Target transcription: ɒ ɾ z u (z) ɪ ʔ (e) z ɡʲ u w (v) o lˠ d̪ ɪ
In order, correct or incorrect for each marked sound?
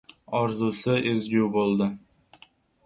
incorrect, correct, incorrect

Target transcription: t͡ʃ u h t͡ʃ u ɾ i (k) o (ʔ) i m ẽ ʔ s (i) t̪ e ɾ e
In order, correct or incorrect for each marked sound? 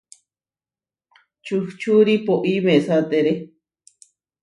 incorrect, correct, incorrect

